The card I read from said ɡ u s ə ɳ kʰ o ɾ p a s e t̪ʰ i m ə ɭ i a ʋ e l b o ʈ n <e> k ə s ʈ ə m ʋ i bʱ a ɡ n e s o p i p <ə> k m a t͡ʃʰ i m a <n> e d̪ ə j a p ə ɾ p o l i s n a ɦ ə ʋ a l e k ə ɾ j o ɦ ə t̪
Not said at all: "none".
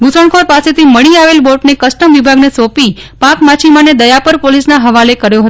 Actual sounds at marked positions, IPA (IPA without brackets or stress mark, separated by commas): e, a, n